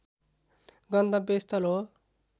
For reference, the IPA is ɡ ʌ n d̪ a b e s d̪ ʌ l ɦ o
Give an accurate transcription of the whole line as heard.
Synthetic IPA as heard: ɡ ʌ n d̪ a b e s t̪ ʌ l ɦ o